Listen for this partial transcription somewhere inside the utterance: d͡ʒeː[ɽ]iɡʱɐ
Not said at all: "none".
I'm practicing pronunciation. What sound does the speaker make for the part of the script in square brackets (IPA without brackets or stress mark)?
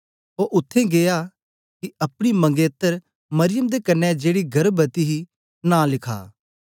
ɽ